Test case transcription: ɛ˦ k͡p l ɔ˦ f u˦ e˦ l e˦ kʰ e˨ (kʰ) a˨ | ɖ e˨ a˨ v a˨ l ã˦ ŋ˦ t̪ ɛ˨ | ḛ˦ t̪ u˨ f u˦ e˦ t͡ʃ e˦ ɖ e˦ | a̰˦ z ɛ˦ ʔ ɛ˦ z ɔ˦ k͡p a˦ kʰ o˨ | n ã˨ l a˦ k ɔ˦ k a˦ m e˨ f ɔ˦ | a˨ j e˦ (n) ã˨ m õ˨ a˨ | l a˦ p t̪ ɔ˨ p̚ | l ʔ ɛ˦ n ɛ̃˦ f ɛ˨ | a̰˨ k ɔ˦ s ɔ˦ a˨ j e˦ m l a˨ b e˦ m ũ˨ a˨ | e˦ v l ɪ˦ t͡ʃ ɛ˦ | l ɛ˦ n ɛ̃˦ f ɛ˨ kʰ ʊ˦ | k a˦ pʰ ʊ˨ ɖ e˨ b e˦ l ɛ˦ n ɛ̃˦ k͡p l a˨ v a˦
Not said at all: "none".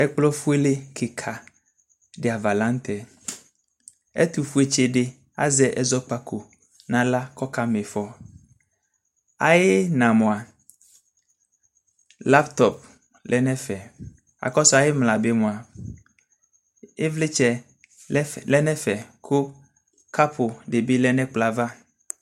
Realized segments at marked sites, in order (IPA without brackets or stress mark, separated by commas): kʰ, n